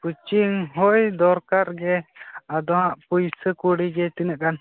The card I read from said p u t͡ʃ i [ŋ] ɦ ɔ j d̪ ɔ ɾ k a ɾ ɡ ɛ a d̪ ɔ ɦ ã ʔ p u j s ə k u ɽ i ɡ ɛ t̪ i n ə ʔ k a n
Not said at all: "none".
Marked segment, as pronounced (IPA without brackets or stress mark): ŋ